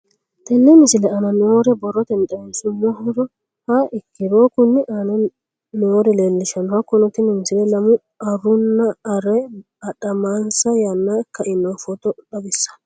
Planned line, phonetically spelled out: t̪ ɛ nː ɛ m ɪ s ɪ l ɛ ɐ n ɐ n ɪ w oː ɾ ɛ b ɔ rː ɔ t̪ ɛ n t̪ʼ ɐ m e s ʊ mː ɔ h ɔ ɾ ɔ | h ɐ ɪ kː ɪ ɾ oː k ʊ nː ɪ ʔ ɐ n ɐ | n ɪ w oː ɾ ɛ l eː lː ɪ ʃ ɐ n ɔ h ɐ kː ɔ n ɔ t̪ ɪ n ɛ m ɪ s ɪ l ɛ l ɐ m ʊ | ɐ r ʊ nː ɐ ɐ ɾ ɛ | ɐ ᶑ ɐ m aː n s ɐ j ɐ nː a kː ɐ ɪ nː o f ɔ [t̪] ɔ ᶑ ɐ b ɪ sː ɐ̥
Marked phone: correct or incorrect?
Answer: correct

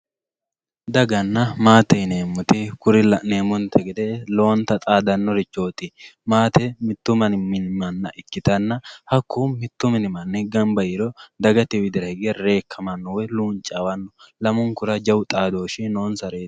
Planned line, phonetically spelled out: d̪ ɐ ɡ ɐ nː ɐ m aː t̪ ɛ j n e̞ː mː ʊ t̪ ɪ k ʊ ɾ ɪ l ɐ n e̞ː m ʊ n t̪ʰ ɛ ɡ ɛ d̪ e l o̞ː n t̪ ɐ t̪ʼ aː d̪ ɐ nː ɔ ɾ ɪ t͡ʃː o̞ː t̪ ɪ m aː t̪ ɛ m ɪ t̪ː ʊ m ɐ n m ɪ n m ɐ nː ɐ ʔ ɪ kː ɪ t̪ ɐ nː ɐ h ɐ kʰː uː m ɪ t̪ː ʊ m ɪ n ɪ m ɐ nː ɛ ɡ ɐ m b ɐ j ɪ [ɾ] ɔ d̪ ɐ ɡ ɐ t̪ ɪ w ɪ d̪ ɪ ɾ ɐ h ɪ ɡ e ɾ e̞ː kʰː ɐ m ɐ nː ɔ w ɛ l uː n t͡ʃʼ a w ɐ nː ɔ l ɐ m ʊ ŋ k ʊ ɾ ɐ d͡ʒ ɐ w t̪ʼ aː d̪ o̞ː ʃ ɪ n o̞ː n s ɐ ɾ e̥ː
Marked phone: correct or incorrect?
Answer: correct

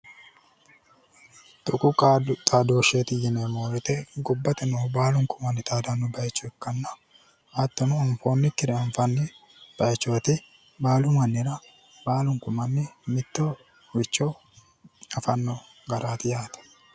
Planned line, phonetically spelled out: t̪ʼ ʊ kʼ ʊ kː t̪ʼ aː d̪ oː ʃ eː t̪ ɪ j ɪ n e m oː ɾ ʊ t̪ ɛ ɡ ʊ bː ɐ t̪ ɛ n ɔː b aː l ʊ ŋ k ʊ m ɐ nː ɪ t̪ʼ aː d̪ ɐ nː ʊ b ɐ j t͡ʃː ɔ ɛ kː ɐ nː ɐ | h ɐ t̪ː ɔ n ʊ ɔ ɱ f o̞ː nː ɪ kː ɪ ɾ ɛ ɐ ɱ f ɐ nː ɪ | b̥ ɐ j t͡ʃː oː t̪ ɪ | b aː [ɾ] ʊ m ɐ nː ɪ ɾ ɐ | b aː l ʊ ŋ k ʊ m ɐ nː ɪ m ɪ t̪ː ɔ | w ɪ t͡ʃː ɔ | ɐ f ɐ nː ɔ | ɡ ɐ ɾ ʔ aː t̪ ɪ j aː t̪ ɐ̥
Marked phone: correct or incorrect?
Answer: incorrect: l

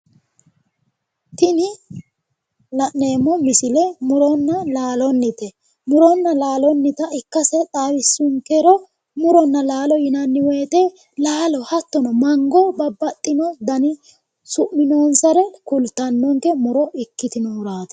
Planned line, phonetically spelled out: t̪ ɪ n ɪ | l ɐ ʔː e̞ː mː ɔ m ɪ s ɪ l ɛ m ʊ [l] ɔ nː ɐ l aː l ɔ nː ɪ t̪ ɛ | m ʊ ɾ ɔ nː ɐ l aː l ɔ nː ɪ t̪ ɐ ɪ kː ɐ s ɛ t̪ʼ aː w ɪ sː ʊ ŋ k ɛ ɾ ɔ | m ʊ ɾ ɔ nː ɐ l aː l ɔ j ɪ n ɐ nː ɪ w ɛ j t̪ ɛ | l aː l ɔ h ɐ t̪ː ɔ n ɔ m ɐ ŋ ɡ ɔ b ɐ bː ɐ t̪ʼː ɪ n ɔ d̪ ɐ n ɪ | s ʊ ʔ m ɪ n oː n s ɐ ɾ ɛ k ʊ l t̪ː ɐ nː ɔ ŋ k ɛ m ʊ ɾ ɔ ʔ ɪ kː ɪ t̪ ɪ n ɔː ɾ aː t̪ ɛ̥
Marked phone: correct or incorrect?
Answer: incorrect: ɾ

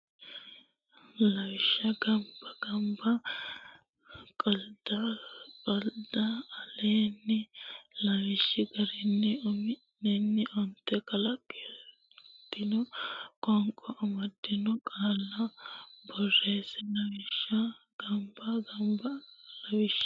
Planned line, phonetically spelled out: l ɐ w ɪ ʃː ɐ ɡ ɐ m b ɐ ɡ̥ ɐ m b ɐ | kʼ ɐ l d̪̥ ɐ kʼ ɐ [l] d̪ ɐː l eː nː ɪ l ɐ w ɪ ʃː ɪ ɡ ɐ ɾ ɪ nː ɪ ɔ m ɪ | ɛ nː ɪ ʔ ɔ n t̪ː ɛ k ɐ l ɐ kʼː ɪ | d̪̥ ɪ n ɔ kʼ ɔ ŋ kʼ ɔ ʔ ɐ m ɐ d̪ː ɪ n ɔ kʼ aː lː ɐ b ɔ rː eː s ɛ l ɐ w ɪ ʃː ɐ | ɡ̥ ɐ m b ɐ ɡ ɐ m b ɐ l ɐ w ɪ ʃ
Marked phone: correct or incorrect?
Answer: correct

